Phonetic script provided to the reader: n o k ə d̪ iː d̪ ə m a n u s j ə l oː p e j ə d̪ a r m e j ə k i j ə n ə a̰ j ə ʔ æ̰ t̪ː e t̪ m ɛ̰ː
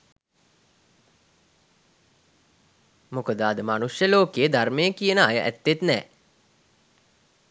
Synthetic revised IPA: m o k ə d̪ aː d̪ ə m a n u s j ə l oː k e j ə d̪ a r m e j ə k i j ə n ə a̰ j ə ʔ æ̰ t̪ː e t̪ n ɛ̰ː

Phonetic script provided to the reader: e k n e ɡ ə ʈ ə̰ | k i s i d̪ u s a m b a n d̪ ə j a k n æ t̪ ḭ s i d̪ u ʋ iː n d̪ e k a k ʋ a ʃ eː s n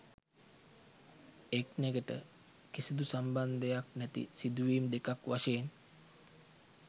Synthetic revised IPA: e k n e ɡ ə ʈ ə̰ | k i s i d̪ u s a m b a n d̪ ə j a k n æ t̪ ḭ s i d̪ u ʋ iː m d̪ e k a k ʋ a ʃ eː n

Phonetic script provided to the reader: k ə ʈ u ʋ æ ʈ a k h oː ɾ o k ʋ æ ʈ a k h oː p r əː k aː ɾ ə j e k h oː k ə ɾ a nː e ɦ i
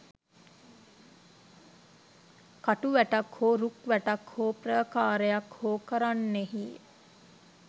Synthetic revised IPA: k a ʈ u ʋ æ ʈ a k h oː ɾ u k ʋ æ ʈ a k h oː p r əː k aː ɾ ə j a k h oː k ə ɾ a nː e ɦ i

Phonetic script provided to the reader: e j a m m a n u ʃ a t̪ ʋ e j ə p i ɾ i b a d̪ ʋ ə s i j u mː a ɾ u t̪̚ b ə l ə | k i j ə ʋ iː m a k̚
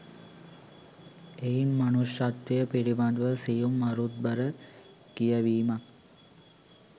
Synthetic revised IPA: e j i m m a n u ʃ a t̪ ʋ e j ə p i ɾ i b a d̪ ʋ ə s i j u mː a ɾ u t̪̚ b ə ɾ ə | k i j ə ʋ iː m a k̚

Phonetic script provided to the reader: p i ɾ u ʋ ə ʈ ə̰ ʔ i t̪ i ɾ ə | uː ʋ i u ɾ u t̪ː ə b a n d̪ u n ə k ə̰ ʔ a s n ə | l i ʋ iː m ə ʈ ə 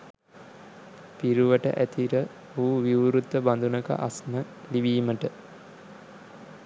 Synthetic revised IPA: p i ɾ u ʋ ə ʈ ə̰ ʔ æ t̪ i ɾ ə | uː ʋ i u ɾ u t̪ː ə b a n d̪ u n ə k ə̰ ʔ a s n ə | l i ʋ iː m ə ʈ ə

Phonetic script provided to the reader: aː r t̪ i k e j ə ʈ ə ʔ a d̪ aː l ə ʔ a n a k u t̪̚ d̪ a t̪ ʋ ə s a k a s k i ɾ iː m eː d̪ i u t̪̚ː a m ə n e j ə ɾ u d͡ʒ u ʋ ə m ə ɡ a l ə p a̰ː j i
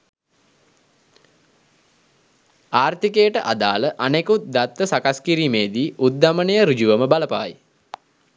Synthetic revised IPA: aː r t̪ i k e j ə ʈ ə ʔ a d̪ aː l ə ʔ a n e k u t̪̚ d̪ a t̪ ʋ ə s a k a s k i ɾ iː m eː d̪ i u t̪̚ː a m ə n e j ə ɾ u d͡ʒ u ʋ ə m ə b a l ə p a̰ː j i

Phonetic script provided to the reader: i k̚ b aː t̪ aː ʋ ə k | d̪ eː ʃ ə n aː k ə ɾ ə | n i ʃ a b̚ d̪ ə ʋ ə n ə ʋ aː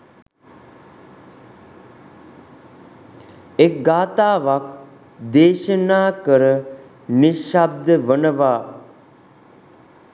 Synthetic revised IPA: e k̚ ɡ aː t̪ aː ʋ a k | d̪ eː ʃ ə n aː k ə ɾ ə | n i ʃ a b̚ d̪ ə ʋ ə n ə ʋ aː

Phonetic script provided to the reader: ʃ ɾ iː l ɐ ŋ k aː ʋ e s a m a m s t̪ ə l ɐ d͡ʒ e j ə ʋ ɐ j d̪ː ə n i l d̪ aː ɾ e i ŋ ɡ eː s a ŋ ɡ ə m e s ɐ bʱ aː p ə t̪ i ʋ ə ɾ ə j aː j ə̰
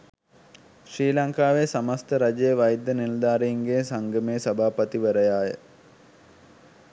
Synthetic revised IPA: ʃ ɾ iː l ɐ ŋ k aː ʋ e s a m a s t̪ ə ɾ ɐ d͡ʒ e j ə ʋ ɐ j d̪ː ə n i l d̪ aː ɾ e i ŋ ɡ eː s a ŋ ɡ ə m e s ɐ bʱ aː p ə t̪ i ʋ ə ɾ ə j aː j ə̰

